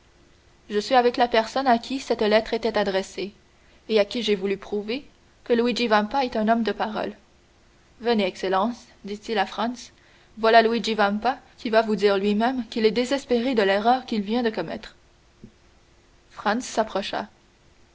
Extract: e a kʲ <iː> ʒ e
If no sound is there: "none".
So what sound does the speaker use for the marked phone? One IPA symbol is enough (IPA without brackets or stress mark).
i